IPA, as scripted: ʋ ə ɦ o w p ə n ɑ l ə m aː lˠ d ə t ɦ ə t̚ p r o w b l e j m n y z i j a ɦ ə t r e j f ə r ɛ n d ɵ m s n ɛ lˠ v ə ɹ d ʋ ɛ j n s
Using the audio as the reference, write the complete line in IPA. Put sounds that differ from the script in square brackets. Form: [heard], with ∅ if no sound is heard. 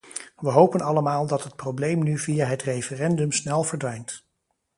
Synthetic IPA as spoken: ʋ ə ɦ o w p ə n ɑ l ə m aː lˠ d [ɑ] t ɦ ə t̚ p r o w b l e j m n y [v] i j a ɦ ə t r e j f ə r ɛ n d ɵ m s n ɛ lˠ v ə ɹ d ʋ ɛ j n [t]